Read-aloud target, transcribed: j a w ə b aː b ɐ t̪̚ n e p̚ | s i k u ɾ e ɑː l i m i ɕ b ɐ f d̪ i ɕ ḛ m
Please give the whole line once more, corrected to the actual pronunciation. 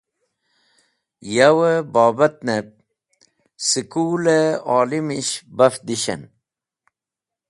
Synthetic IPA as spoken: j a w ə b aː b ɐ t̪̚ n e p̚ | s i k u l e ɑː l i m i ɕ b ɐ f d̪ i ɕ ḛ n

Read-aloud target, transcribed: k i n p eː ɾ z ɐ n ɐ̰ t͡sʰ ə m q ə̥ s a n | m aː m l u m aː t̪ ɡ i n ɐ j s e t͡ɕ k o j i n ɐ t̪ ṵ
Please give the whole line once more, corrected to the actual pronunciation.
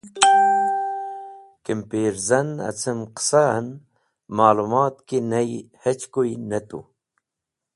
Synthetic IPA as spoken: k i m p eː ɾ z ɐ n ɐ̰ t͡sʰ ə m q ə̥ s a n | m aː l u m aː t̪ k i n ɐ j h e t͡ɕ k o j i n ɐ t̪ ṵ

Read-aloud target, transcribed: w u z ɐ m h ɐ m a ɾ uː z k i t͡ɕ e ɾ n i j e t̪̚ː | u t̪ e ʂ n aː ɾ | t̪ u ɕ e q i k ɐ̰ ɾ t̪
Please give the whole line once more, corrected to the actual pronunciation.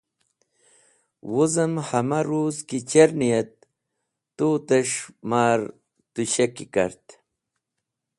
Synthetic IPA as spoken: w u z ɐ m h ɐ m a ɾ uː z k i t͡ɕ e ɾ n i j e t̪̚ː | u t̪ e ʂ m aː ɾ | t̪ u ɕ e k i k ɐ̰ ɾ t̪

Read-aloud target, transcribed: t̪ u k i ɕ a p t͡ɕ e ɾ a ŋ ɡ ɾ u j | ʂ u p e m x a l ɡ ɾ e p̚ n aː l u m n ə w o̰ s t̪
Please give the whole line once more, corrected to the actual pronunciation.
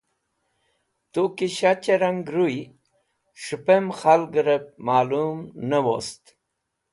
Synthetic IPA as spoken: t̪ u k i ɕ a t͡ɕ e ɾ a ŋ ɡ ɾ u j | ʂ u p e m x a l ɡ ɾ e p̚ m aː l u m n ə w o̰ s t̪

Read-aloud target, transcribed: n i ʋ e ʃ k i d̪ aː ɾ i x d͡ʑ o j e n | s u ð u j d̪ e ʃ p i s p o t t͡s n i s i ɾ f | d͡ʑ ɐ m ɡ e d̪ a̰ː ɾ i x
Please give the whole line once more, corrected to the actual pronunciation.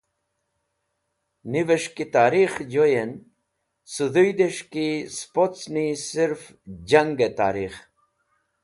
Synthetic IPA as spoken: n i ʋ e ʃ k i t̪ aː ɾ i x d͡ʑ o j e n | s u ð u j d̪ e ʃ k i s p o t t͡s n i s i ɾ f | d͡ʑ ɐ ŋ ɡ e t̪ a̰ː ɾ i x

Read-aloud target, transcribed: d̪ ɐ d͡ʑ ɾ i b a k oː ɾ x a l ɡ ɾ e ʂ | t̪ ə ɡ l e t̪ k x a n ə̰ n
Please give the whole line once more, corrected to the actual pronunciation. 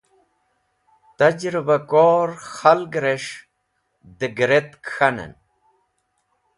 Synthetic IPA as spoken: t̪ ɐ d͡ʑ ɾ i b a k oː ɾ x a l ɡ ɾ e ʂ | d̪ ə ɡ ɾ e t̪ k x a n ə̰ n

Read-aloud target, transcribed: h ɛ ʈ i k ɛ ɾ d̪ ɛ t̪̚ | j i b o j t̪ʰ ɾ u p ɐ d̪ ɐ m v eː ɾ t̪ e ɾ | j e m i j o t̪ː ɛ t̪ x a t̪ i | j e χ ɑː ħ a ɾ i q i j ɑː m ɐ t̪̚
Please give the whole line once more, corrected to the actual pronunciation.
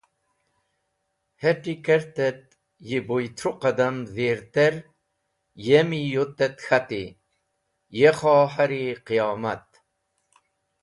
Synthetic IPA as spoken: h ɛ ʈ i k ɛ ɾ t̪ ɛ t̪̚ | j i b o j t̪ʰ ɾ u q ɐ d̪ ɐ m v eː ɾ t̪ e ɾ | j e m i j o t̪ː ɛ t̪ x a t̪ i | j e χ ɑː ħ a ɾ i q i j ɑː m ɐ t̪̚

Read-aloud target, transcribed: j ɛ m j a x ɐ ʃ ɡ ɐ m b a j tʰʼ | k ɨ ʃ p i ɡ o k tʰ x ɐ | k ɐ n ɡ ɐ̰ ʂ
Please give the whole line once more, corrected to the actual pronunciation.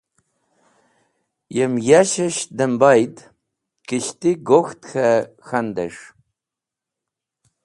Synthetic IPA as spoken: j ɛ m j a ʃ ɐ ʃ d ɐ m b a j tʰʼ | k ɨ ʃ t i ɡ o x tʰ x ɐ | x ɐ n d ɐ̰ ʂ

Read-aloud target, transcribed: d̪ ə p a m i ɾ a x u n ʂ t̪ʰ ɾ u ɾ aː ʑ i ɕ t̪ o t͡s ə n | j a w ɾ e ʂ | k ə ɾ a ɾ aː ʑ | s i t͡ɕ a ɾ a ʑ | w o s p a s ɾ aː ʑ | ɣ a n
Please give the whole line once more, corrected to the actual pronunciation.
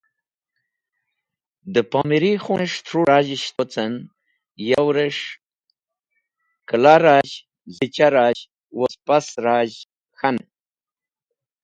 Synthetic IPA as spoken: d̪ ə p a m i ɾ i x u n ʂ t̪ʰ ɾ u ɾ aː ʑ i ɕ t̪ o t͡s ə n | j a w ɾ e ʂ | k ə l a ɾ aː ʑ | z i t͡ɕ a ɾ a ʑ | w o s p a s ɾ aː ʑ | x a n

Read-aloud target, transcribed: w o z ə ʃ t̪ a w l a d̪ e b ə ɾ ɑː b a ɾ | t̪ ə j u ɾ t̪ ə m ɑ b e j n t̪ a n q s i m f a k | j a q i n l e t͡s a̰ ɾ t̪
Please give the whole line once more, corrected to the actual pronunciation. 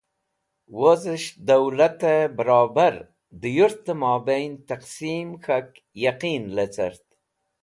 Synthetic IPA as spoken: w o z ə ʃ d̪ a w l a t̪ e b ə ɾ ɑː b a ɾ | d̪ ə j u ɾ t̪ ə m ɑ b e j n t̪ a q s i m x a k | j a q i n l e t͡s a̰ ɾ t̪

